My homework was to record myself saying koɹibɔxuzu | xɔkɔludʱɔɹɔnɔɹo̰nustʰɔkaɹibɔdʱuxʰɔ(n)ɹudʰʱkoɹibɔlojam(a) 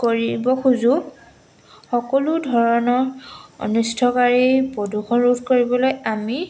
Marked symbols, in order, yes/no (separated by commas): yes, no